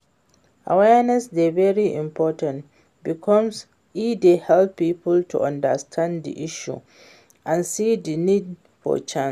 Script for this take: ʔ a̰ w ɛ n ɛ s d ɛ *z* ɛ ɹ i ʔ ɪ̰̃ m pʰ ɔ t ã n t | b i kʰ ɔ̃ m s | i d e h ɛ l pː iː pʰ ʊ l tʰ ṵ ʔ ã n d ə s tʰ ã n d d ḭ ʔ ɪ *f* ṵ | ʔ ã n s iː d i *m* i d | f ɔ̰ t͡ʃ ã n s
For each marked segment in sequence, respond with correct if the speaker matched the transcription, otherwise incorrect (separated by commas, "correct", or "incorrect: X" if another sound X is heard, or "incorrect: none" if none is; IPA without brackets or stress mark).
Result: incorrect: v, incorrect: ʃ, incorrect: n